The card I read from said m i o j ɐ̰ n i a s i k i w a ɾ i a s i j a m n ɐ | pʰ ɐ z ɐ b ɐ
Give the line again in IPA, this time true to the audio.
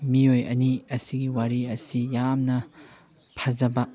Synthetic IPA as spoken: m i o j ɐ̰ n i ɐ s i ɡ i w a ɾ i ɐ s i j a m n ɐ | pʰ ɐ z ɐ b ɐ